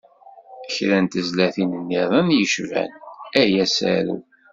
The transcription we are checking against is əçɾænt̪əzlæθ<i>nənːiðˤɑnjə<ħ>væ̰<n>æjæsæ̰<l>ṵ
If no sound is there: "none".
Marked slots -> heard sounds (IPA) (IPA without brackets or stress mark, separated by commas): i, ʃ, n, ɾ